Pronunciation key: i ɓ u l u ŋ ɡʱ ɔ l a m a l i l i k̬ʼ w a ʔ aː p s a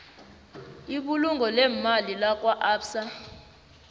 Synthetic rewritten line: i ɓ u l u ŋ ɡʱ ɔ l ɛ m a l i l a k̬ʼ w a ʔ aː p s a